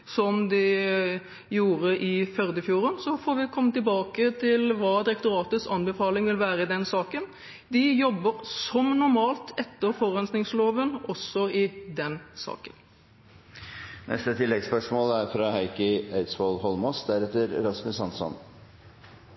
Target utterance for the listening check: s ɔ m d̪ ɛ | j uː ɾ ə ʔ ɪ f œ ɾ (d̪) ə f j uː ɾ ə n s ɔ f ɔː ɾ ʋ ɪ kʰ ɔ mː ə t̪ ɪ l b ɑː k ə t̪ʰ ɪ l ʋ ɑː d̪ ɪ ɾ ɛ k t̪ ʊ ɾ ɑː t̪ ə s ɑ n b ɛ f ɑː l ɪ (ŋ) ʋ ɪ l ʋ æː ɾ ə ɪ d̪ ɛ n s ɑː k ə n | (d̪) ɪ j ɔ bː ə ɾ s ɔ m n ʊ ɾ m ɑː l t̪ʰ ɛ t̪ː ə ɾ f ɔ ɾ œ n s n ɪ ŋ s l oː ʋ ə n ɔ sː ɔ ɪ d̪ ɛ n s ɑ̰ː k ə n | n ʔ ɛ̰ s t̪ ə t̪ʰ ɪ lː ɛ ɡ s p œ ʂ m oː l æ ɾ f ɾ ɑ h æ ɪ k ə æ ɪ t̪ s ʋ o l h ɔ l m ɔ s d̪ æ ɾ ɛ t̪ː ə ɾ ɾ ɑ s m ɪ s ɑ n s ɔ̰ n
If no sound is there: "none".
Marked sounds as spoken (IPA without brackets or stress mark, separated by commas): d̪, ŋ, d̪